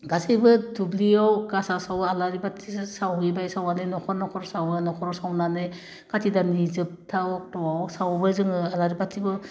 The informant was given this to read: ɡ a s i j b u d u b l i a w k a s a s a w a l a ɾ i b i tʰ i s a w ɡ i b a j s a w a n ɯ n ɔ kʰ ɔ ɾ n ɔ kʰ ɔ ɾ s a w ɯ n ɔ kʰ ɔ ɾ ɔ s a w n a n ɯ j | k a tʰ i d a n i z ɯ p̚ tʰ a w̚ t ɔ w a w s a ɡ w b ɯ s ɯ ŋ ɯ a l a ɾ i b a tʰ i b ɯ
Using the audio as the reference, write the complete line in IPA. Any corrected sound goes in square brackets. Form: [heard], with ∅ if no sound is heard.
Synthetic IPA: ɡ a s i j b [ɯ] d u b l i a w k a s a s a w a l a ɾ i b [a] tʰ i s a w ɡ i b a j s a w a n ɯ n ɔ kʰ ɔ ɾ n ɔ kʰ ɔ ɾ s a w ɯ n ɔ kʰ ɔ ɾ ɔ s a w n a n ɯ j | k a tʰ i d a n i z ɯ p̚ tʰ a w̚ t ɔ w a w s a [∅] w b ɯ [z] ɯ ŋ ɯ a l a ɾ i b a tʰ i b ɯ